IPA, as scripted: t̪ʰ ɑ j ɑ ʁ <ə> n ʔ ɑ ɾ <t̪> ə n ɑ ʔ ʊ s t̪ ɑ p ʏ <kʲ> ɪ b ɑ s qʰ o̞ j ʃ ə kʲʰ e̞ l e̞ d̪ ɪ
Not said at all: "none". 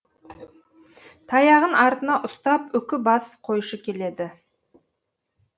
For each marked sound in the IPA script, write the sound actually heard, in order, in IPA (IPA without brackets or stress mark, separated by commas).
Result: ə, t̪, kʲ